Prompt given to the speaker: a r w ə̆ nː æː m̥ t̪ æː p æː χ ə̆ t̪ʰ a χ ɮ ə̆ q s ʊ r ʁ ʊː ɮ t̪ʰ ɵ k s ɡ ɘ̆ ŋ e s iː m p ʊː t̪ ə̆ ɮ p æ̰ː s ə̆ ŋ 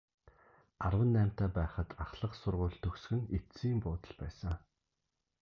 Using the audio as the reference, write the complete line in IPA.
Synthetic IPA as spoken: a r w ə̆ nː æː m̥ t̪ æː p æː χ ə̆ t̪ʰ a χ ɮ ə̆ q s ʊ r ʁ ʊː ɮ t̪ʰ ɵ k s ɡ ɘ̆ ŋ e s iː m p ʊː t̪ ə̆ ɮ p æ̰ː s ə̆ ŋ